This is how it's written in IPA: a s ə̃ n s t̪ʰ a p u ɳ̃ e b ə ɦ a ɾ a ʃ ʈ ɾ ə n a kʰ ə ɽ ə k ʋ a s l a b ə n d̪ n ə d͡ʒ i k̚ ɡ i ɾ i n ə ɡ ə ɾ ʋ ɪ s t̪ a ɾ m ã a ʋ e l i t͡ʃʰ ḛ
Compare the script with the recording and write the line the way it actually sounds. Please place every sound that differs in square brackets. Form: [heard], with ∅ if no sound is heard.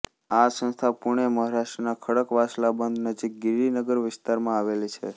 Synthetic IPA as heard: a s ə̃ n s t̪ʰ a p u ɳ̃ e [m] ə ɦ a ɾ a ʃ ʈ ɾ ə n a kʰ ə ɽ ə k ʋ a s l a b ə n d̪ n ə d͡ʒ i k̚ ɡ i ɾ i n ə ɡ ə ɾ ʋ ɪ s t̪ a ɾ m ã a ʋ e l i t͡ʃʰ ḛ

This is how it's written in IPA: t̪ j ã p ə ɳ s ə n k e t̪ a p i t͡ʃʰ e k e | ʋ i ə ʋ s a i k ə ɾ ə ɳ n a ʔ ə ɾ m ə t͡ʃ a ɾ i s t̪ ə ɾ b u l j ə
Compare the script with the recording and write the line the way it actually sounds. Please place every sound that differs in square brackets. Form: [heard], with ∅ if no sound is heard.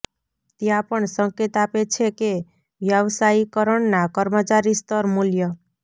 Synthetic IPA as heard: t̪ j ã p ə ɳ s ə [ŋ] k e t̪ a p [e] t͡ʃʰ e k e | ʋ [j] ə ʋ s a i k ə ɾ ə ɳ n a [k] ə ɾ m ə t͡ʃ a ɾ i s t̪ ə ɾ [m] u l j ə

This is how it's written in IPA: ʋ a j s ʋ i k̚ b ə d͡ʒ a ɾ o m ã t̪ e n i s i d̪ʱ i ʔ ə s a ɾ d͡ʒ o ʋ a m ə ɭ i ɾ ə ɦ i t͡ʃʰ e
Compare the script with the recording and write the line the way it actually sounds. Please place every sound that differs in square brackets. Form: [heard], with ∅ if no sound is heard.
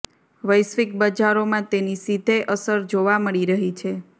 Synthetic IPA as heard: ʋ [ə] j s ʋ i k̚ b ə d͡ʒ a ɾ o m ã t̪ e n i s i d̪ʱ [e] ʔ ə s [ə] ɾ d͡ʒ o ʋ a m ə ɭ i ɾ ə ɦ i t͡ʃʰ e

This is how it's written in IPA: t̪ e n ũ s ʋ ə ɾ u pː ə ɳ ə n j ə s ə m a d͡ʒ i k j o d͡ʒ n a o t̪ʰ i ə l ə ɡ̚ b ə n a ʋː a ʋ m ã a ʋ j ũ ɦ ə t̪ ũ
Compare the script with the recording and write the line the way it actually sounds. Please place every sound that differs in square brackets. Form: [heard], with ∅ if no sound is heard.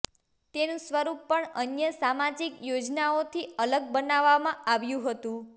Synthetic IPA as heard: t̪ e n ũ s ʋ ə ɾ u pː ə ɳ ə n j ə s [a] m a d͡ʒ i k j o d͡ʒ n a o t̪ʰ i ə l ə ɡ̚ b ə n a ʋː a [∅] m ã a ʋ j ũ ɦ ə t̪ ũ

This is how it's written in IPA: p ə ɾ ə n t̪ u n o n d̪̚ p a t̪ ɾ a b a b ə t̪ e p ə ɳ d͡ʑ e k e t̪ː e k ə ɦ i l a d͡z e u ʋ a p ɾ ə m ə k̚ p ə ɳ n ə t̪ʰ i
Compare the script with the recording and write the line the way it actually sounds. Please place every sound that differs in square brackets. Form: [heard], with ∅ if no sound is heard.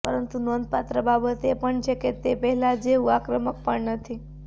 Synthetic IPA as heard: p ə ɾ ə n t̪ u n o n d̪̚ p a t̪ ɾ [ə] b a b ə t̪ e p ə ɳ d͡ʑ e k e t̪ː e [p] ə ɦ i l a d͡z e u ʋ a [k] ɾ ə m ə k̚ p ə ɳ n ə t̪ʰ i

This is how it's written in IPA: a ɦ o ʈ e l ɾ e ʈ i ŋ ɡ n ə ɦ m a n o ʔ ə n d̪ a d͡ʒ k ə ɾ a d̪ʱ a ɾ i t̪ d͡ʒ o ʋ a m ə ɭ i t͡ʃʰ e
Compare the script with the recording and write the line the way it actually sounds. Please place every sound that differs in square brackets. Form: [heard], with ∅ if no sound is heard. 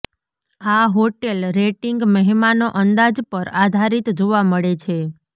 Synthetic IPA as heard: a ɦ o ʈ e l ɾ e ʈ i ŋ ɡ [m] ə ɦ m a n o ʔ ə n d̪ a d͡ʒ [p] ə ɾ a d̪ʱ a ɾ i t̪ d͡ʒ o ʋ a m ə ɭ [e] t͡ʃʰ e

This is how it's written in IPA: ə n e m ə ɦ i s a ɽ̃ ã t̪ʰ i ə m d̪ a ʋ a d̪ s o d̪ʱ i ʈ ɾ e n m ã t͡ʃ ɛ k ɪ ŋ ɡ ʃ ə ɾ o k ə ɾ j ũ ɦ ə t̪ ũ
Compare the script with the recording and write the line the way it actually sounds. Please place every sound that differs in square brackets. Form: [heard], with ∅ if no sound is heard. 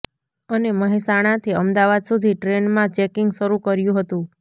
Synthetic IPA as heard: ə n e m ə ɦ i s a ɽ̃ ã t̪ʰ i ə m d̪ a ʋ a d̪ s [u] d̪ʱ i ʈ ɾ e n m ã t͡ʃ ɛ k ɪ ŋ ɡ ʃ ə ɾ [u] k ə ɾ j ũ ɦ ə t̪ ũ

